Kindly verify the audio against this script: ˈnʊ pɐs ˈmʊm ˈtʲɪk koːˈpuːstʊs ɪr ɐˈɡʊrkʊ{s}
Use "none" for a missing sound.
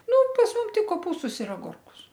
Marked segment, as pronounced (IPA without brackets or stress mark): s